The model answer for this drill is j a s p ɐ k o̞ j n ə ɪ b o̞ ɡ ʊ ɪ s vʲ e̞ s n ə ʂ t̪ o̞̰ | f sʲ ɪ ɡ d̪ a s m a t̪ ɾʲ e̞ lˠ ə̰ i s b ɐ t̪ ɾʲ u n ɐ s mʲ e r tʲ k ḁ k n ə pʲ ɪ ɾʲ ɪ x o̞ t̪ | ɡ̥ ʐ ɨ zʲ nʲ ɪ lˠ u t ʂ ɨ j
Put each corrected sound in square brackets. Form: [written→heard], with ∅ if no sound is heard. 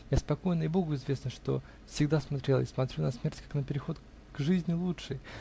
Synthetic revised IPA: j a s p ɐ k o̞ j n ə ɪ b o̞ ɡ ʊ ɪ [s→z] vʲ e̞ s n ə ʂ t̪ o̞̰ | f sʲ ɪ ɡ d̪ a s m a t̪ ɾʲ e̞ lˠ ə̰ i s [b→m] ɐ t̪ ɾʲ u n ɐ s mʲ e r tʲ k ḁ k n ə pʲ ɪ ɾʲ ɪ x o̞ t̪ | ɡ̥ ʐ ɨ zʲ nʲ ɪ lˠ u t ʂ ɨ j